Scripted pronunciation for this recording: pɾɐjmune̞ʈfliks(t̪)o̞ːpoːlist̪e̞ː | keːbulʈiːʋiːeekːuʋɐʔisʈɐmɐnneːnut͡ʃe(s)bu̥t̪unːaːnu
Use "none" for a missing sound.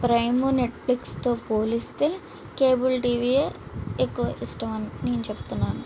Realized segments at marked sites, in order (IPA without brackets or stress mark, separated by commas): t̪, none